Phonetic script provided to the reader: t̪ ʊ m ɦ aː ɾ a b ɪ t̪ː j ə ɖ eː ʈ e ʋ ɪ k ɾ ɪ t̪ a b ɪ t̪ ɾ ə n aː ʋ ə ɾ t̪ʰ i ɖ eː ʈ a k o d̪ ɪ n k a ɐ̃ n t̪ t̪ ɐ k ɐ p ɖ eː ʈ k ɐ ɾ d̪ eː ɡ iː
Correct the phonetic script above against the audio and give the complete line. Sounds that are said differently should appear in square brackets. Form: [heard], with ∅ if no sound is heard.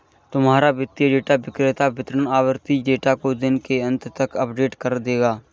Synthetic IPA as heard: t̪ ʊ m ɦ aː ɾ a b ɪ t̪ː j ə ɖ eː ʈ [a] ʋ ɪ k ɾ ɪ t̪ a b ɪ t̪ ɾ ə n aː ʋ ə ɾ [t̪] i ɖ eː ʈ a k o d̪ ɪ n k [e] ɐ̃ n t̪ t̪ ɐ k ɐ p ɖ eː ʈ k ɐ ɾ d̪ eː ɡ [aː]